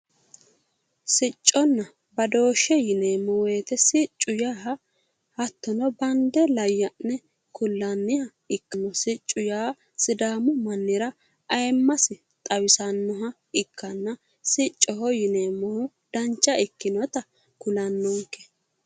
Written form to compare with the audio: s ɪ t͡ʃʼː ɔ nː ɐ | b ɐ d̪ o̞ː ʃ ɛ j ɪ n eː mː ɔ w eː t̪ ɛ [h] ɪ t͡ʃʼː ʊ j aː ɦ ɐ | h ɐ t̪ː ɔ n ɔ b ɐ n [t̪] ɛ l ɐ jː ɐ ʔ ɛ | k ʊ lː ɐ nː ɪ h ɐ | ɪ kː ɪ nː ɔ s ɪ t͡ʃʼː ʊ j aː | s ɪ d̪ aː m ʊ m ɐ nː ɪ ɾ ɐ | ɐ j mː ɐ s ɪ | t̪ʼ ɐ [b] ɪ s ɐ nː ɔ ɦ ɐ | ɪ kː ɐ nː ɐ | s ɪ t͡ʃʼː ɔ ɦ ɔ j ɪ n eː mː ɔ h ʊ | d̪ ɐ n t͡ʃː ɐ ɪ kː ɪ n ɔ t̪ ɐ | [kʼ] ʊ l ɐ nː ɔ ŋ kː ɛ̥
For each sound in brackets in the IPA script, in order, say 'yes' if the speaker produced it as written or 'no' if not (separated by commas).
no, no, no, no